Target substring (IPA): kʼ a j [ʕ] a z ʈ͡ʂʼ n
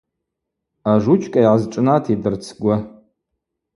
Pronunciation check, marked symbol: correct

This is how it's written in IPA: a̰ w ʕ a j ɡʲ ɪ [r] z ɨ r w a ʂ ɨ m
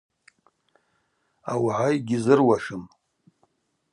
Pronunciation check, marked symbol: incorrect: none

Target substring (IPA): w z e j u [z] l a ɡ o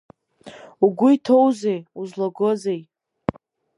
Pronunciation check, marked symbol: correct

